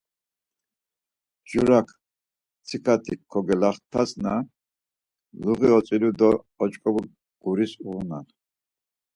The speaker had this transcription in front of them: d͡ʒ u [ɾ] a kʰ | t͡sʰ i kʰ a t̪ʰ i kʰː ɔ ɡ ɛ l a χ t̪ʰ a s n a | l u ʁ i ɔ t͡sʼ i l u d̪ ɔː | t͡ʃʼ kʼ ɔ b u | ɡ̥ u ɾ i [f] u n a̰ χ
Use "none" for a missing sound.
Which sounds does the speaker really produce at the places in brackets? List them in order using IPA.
ɾ, s

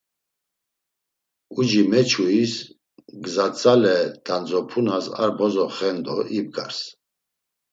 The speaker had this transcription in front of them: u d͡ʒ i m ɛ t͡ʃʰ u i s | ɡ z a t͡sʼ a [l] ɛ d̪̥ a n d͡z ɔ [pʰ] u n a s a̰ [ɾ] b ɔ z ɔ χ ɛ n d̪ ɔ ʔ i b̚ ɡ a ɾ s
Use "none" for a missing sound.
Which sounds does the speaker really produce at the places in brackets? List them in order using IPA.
l, pʰ, ɾ

